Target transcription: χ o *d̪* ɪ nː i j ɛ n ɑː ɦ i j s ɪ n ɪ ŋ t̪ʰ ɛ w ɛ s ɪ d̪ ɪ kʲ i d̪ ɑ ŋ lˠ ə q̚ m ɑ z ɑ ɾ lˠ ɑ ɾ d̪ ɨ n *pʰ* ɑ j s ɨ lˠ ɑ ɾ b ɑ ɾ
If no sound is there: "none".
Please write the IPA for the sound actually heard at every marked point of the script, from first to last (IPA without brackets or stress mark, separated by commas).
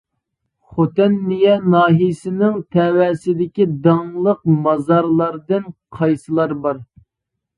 t̪, qʰ